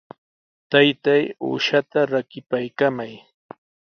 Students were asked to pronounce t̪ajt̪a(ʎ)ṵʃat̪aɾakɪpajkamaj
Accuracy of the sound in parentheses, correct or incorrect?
incorrect